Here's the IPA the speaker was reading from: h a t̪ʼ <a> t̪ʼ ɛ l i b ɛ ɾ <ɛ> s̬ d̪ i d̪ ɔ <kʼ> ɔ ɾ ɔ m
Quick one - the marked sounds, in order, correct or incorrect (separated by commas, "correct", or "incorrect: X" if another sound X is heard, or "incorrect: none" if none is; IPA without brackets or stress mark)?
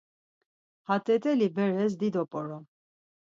incorrect: ɛ, correct, incorrect: pʼ